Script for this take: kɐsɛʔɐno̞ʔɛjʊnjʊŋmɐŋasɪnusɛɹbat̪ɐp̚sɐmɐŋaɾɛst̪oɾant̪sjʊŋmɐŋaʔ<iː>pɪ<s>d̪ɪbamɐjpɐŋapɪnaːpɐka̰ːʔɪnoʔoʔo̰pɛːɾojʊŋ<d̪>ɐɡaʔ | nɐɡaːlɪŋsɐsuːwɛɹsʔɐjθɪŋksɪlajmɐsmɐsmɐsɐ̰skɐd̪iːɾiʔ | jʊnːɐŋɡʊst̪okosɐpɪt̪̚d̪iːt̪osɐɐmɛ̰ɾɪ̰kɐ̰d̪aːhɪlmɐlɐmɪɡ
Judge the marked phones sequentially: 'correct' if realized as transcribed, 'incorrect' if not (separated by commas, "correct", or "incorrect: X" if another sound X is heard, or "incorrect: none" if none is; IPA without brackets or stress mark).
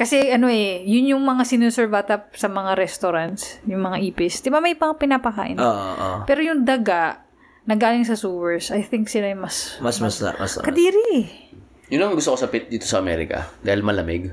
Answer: correct, correct, correct